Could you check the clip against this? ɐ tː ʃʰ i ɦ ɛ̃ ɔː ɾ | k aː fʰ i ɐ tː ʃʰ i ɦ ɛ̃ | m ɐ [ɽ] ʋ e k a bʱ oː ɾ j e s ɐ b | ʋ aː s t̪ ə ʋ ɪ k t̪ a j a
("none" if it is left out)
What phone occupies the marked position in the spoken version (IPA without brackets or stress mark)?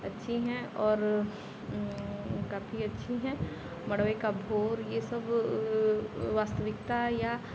ɽ